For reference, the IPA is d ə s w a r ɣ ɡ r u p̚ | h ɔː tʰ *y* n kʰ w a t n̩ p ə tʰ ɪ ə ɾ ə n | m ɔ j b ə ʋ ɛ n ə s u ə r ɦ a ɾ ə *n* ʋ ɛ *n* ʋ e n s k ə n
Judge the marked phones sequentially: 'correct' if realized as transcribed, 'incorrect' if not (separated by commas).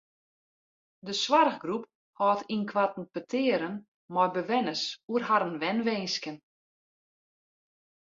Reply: incorrect, correct, correct